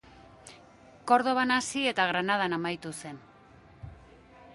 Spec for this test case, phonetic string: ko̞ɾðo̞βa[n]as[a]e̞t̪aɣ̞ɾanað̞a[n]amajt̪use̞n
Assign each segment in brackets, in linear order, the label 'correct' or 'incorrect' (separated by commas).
correct, incorrect, correct